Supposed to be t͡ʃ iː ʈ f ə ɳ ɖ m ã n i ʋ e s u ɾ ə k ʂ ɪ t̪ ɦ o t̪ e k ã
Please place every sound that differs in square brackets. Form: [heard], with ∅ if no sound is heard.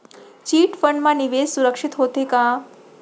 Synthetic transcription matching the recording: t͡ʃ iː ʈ f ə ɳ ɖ m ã n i ʋ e s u ɾ ə k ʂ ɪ t̪ ɦ o t̪ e k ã